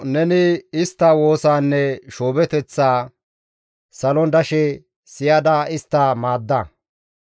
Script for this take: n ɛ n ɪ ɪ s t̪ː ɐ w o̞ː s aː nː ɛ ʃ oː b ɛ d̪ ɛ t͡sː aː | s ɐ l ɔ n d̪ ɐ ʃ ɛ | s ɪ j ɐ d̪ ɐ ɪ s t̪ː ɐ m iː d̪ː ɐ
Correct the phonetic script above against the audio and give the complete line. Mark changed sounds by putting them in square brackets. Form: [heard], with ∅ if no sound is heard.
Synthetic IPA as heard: n ɛ n ɪ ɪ s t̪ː ɐ w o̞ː s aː nː ɛ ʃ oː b ɛ [t̪] ɛ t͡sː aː | s ɐ l ɔ n d̪ ɐ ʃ ɛ | s ɪ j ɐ d̪ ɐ ɪ s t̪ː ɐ m [aː] d̪ː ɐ